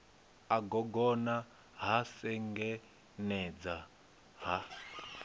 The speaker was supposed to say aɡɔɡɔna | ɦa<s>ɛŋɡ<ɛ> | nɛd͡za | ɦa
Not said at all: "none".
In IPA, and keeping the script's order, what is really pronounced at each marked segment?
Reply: s, ɛ

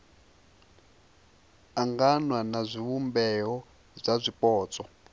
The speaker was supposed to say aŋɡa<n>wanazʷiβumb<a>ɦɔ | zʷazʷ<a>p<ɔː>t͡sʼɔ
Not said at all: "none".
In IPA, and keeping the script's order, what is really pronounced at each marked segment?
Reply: n, ɛ, i, ɔː

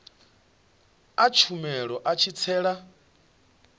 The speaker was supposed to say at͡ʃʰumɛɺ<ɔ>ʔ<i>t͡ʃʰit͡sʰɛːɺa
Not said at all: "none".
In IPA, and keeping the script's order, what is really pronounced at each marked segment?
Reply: ɔ, a

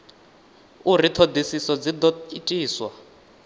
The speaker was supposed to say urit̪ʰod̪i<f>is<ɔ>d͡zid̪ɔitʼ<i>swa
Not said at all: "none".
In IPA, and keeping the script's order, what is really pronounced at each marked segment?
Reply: s, ɔ, iː

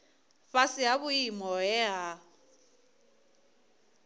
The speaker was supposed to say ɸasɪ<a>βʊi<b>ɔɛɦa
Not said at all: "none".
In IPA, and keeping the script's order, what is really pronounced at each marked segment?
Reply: a, m

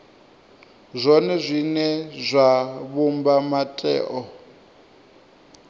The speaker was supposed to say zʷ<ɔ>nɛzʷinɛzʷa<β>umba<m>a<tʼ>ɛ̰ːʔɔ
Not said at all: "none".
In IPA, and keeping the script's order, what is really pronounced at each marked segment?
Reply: ɔ, β, m, tʼ

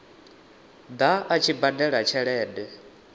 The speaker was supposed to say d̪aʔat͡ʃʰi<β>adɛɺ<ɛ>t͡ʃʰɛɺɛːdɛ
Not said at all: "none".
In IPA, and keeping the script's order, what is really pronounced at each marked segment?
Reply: b, a

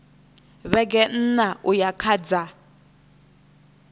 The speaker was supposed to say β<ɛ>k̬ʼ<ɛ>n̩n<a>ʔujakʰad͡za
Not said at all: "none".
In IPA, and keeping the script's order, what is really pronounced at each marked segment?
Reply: ɛ, ɛ, a

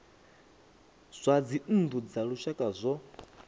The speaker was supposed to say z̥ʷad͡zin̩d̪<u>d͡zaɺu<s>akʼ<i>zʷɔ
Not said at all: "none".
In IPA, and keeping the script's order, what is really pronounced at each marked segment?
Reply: u, ʃ, a

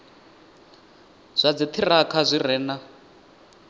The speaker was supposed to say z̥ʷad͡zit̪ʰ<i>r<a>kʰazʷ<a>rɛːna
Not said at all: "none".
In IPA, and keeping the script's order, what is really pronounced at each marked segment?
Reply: i, a, i

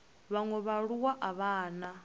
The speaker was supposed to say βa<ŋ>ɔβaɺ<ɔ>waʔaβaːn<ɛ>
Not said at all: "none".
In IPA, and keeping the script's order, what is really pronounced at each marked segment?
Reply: ŋ, u, a

